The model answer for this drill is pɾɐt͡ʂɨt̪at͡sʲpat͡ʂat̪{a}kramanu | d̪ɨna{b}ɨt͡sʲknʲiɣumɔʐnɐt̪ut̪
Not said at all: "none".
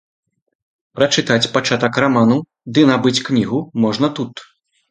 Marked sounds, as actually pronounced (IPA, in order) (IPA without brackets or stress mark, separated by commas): ɐ, b